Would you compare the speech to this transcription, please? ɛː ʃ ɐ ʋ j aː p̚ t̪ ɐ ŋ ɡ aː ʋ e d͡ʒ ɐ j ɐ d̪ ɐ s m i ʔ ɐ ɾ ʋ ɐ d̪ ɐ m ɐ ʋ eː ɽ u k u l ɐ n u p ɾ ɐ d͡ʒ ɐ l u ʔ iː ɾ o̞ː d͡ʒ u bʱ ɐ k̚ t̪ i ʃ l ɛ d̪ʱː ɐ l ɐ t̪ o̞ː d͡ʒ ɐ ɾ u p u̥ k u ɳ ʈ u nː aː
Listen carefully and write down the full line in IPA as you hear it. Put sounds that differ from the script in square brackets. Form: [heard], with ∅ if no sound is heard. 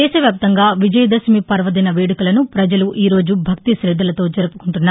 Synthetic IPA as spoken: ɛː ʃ ɐ ʋ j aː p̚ t̪ ɐ ŋ ɡ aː ʋ [i] d͡ʒ ɐ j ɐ d̪ ɐ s m i [p] ɐ ɾ ʋ ɐ d̪ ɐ [n] ɐ ʋ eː ɽ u k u l ɐ n u p ɾ ɐ d͡ʒ ɐ l u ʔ iː ɾ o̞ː d͡ʒ u bʱ ɐ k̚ t̪ i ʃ [ɾ] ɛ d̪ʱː ɐ l ɐ t̪ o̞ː d͡ʒ ɐ ɾ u p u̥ k u ɳ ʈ u nː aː